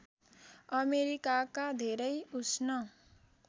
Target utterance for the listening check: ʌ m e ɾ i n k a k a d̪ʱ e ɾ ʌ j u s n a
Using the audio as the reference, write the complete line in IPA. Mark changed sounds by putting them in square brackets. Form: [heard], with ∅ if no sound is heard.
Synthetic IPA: ʌ m e ɾ i [∅] k a k a d̪ʱ e ɾ ʌ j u s n [ʌ]